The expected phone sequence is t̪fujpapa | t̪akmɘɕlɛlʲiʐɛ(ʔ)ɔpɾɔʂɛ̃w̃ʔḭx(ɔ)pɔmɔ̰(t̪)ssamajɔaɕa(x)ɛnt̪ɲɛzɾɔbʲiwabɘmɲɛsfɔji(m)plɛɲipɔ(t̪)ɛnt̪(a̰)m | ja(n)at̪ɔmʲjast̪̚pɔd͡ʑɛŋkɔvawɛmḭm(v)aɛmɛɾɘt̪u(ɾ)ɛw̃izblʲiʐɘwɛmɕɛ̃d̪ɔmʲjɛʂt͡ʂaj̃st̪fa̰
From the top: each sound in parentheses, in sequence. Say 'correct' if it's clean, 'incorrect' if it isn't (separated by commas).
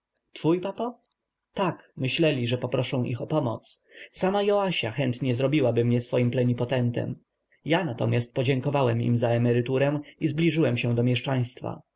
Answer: incorrect, correct, correct, correct, correct, correct, incorrect, correct, incorrect, correct